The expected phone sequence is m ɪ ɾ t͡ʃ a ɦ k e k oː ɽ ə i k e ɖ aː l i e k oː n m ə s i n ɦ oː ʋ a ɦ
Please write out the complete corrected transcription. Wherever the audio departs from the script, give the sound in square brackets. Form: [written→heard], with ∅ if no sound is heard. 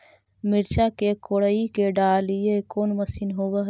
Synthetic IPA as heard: m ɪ ɾ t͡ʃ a [ɦ→∅] k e k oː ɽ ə i k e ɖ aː l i e k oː n m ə s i n ɦ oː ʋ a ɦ